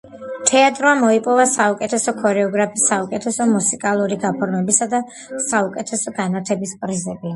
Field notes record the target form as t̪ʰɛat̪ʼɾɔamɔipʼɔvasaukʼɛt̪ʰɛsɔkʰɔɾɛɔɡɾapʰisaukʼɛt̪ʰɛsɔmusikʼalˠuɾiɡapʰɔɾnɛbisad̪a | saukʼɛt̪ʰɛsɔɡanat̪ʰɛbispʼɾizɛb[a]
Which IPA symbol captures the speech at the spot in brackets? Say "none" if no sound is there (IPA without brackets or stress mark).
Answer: i